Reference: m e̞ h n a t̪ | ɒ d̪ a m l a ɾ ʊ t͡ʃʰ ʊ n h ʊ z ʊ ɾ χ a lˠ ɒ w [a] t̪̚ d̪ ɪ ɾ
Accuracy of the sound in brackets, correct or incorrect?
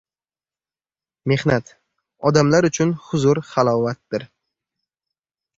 correct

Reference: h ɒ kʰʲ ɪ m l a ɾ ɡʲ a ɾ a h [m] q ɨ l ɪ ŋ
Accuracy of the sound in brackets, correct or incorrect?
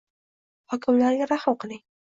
correct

